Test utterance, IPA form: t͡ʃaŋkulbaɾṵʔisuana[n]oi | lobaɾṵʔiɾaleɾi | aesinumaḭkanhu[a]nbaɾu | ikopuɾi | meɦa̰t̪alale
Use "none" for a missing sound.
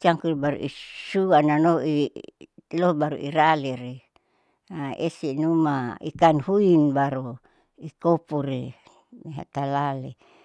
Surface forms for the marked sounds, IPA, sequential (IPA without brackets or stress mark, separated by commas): n, i